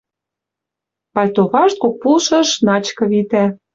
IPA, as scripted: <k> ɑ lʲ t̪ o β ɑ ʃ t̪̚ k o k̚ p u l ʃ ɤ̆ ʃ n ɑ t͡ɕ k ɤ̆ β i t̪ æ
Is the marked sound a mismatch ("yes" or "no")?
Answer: yes